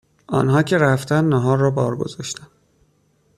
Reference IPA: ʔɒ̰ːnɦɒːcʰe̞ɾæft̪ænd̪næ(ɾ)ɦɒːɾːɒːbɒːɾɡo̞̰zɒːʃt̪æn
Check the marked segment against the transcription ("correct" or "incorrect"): incorrect